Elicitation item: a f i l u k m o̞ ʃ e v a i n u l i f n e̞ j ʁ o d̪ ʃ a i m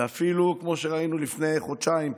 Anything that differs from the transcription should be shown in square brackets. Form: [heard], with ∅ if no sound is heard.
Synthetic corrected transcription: a f i l u k m o̞ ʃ e [ʁ] a i n u l i f n e̞ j [χ] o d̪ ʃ a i m